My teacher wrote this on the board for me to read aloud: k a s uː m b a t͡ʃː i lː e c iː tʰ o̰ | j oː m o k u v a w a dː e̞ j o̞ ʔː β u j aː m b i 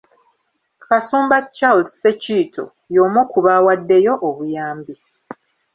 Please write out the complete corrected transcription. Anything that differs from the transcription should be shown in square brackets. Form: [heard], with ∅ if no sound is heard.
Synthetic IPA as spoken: k a s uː m b a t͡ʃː [a] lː e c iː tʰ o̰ | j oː m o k u [β] a w a dː e̞ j o̞ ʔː β u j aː m b i